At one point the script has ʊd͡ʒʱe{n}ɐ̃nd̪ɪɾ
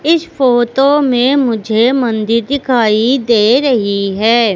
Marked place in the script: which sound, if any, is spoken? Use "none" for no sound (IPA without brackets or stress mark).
m